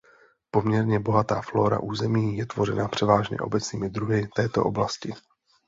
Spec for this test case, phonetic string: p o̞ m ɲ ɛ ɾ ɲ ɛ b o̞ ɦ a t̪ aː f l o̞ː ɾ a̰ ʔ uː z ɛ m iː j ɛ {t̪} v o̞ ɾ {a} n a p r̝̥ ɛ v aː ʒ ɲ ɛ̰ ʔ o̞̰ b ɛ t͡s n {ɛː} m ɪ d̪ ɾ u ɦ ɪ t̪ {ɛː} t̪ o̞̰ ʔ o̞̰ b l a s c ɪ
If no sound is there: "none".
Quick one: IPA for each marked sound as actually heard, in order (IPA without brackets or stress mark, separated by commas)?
t̪, ɛ, iː, ɛː